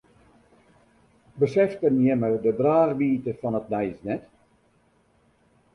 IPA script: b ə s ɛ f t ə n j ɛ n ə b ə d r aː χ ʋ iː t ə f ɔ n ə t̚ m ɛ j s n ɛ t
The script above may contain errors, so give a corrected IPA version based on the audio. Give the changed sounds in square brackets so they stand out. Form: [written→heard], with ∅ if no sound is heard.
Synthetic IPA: b ə s ɛ f t ə n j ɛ [n→m] ə [b→d] ə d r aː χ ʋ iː t ə f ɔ n ə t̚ [m→n] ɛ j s n ɛ t